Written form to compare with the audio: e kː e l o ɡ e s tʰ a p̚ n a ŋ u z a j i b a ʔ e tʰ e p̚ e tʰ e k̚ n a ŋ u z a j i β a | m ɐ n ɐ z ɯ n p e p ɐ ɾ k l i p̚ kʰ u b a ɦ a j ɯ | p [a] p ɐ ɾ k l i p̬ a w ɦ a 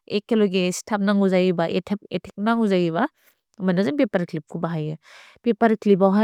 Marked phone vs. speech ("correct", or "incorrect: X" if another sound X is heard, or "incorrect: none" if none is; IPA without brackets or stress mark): incorrect: e